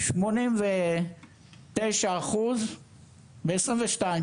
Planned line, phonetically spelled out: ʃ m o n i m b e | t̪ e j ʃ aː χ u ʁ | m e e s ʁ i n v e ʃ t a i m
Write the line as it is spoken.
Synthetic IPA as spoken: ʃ m o n i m v e | t̪ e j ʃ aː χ u z | b e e s ʁ i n v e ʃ t a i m